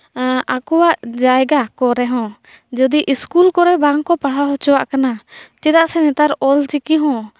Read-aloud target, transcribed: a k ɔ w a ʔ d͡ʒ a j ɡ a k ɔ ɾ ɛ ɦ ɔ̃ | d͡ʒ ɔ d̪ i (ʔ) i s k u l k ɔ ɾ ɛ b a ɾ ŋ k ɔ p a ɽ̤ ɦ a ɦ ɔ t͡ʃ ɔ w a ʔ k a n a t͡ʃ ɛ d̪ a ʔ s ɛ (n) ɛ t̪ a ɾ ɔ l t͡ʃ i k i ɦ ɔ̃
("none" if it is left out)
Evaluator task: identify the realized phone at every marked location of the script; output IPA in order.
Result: ʔ, n

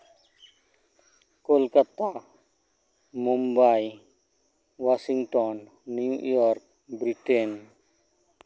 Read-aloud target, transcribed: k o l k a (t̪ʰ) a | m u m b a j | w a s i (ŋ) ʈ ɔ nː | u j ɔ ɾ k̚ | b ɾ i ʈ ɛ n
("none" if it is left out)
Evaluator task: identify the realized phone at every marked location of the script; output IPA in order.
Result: t̪, ŋ

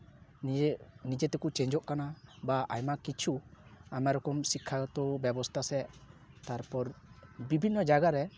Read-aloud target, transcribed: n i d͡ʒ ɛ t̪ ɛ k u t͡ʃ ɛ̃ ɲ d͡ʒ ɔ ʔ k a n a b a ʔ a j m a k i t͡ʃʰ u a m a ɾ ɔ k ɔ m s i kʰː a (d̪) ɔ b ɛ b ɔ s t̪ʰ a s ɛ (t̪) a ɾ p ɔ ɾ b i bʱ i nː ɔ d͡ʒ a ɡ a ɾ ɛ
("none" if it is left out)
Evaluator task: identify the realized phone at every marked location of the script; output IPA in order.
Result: t̪, t̪

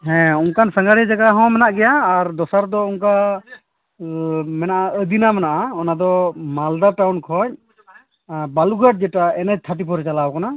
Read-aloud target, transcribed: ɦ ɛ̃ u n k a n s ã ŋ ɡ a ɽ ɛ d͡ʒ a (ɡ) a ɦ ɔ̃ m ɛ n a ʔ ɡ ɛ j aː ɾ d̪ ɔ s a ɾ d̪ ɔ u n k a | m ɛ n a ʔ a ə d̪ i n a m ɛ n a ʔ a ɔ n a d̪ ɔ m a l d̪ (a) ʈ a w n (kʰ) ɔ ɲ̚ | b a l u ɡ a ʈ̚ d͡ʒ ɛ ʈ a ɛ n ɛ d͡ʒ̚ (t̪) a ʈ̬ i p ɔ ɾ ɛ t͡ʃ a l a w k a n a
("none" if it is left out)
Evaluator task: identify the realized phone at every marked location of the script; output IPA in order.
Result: ɡ, a, kʰ, t̪ʰ

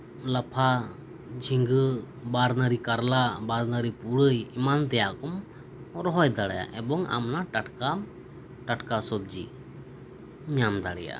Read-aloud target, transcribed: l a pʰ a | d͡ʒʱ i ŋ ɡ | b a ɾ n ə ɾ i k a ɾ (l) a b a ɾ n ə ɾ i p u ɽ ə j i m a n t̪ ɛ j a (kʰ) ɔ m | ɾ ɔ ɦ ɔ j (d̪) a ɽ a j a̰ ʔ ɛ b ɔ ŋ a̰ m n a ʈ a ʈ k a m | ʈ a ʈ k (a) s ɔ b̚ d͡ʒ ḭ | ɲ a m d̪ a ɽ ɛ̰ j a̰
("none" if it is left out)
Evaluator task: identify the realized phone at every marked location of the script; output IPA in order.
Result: l, k, d̪, a

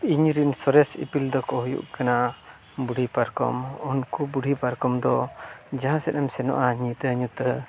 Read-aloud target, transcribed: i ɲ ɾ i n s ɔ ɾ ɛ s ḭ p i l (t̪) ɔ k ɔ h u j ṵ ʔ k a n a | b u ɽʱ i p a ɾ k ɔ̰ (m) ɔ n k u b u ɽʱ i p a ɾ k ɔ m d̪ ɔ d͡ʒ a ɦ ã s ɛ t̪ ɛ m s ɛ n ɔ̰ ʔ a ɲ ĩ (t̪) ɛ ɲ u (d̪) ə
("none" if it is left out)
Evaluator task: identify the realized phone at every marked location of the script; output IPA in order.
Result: d̪, m, t̪, t̪

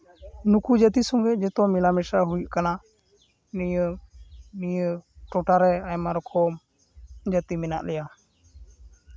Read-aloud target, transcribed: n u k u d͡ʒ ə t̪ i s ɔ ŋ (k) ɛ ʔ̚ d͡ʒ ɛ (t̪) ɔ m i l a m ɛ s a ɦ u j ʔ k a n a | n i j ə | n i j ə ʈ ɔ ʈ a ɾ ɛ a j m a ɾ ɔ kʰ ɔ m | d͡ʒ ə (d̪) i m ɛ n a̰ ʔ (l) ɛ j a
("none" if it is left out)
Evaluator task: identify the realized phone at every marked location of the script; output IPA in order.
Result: ɡ, t̪, t̪, l

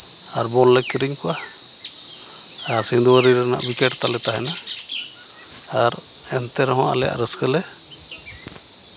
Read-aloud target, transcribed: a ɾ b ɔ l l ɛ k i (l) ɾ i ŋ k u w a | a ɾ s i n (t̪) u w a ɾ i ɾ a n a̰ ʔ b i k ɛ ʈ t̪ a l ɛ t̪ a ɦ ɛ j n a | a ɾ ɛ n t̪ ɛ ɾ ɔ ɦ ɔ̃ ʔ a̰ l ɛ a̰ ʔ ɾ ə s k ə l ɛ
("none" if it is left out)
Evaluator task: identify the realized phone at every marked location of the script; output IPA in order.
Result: none, d̪

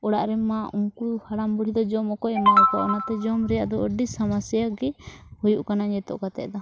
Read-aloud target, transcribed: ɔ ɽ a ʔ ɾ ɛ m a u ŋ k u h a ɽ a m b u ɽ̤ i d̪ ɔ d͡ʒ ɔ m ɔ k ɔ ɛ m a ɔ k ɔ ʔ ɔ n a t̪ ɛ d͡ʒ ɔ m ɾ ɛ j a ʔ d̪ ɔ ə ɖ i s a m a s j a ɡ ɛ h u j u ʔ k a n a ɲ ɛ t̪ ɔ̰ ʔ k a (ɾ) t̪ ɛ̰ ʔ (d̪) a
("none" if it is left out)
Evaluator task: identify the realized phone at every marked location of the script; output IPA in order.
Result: none, d̪

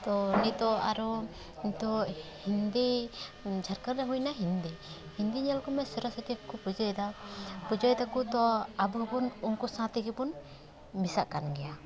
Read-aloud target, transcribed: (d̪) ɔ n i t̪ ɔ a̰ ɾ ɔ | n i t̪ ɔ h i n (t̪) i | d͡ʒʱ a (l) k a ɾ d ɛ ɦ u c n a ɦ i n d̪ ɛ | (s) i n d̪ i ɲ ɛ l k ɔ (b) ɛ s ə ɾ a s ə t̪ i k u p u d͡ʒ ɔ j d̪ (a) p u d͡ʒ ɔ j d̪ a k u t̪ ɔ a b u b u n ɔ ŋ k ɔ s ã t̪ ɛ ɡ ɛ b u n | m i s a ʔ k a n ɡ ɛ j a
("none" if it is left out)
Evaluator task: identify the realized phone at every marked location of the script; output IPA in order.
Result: t̪, d̪, ɾ, h, m, a

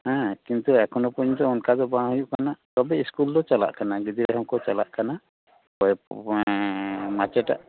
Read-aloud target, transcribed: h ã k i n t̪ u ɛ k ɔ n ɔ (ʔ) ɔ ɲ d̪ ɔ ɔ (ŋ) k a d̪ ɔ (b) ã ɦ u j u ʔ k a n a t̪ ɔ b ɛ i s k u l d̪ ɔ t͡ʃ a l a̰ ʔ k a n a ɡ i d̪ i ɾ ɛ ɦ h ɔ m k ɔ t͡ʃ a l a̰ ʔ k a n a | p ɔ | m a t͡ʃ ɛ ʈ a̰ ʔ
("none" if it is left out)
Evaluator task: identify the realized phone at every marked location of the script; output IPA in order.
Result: p, n, b

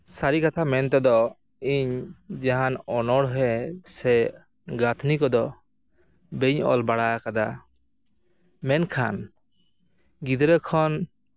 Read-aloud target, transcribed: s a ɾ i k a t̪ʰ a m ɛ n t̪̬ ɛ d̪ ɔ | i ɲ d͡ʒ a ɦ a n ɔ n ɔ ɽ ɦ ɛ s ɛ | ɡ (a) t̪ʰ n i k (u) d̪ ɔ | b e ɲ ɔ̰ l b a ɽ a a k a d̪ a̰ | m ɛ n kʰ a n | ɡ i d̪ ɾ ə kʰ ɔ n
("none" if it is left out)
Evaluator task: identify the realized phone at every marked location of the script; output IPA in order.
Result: a, ɔ

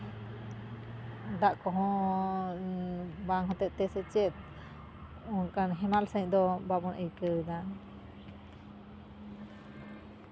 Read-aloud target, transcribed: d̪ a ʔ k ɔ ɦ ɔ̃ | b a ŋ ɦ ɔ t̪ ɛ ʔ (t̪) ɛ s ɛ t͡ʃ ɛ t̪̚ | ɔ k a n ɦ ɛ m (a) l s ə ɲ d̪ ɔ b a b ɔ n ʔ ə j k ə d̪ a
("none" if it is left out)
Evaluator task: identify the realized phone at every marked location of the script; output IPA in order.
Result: t̪, a

